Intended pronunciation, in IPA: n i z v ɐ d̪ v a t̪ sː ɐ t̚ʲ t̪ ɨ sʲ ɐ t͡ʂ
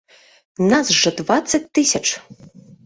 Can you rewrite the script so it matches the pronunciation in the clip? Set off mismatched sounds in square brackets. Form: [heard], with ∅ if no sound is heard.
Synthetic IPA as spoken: n [a] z [ʐ] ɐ d̪ v a t̪ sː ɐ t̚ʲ t̪ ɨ sʲ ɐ t͡ʂ